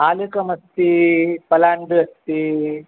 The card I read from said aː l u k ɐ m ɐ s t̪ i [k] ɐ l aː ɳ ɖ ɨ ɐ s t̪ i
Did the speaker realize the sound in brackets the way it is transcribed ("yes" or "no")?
no